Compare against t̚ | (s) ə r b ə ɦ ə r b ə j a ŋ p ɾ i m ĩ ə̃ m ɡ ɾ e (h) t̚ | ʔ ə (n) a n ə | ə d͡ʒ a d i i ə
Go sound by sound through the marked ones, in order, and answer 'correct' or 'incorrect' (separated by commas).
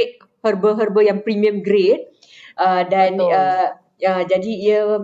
incorrect, incorrect, incorrect